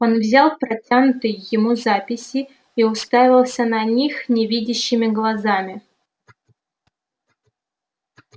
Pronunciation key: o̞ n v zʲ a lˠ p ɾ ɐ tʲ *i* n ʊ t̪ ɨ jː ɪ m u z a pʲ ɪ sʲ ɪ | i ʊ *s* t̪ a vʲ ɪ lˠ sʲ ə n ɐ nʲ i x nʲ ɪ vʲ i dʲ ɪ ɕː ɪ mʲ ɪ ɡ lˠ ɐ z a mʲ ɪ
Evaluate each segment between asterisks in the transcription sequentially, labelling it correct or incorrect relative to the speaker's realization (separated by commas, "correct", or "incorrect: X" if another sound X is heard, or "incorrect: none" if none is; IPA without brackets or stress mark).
incorrect: a, correct